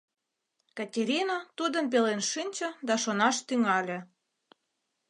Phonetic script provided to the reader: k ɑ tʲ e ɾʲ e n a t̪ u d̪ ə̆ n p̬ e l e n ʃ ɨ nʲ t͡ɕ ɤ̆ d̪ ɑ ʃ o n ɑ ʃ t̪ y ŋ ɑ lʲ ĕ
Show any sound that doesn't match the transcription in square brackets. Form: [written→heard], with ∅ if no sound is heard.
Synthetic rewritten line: k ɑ tʲ e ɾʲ [e→i] n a t̪ u d̪ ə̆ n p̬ e l e n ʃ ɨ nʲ t͡ɕ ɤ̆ d̪ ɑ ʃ o n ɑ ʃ t̪ y ŋ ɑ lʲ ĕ